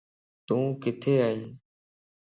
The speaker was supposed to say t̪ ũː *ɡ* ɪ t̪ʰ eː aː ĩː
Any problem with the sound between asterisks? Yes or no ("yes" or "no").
yes